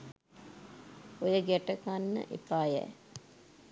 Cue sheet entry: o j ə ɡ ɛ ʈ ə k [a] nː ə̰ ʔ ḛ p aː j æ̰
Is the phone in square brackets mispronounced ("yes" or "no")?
no